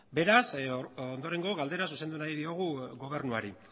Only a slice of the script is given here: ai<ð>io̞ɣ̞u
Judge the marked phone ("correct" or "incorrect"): correct